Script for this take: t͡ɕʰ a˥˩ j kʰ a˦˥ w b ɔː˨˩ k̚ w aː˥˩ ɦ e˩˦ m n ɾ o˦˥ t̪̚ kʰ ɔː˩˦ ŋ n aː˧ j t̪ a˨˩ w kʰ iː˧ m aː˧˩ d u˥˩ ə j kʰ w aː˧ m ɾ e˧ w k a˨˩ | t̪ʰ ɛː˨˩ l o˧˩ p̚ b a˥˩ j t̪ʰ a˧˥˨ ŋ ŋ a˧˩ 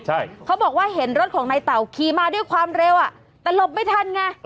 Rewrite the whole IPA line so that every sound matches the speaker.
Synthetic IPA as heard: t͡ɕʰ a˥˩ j kʰ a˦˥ w b ɔː˨˩ k̚ w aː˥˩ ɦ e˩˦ n ɾ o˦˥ t̪̚ kʰ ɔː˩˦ ŋ n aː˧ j t̪ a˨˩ w kʰ iː˧ m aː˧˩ d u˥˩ ə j kʰ w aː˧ m ɾ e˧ w ʔ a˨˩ | t̪ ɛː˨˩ l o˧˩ p̚ m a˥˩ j t̪ʰ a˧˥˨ n ŋ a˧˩